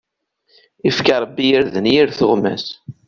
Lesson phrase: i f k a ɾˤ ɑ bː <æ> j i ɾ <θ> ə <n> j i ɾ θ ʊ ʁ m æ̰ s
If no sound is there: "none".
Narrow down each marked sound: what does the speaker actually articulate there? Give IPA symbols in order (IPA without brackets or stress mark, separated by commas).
i, ð, n